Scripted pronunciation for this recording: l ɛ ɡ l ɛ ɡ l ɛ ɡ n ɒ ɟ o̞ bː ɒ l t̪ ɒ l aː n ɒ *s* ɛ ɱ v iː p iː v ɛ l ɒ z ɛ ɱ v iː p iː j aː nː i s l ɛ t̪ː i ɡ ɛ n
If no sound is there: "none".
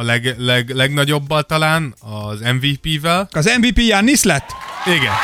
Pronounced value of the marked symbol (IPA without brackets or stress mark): z